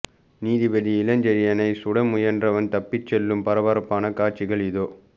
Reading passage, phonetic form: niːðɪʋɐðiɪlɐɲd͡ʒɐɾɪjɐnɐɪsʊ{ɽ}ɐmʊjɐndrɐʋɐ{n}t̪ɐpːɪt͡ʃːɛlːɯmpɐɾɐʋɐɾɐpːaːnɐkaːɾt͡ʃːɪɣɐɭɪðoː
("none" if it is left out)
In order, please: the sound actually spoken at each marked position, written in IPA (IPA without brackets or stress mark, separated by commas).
ɽ, n